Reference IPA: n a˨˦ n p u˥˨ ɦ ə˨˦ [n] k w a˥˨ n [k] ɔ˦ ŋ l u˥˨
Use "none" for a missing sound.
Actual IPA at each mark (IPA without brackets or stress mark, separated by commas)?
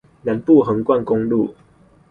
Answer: ŋ, k